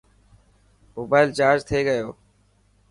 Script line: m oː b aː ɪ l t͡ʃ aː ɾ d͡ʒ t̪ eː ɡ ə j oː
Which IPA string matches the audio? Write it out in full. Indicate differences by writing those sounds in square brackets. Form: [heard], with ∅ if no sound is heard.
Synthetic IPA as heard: m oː b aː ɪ l t͡ʃ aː ɾ d͡ʒ [t̪ʰ] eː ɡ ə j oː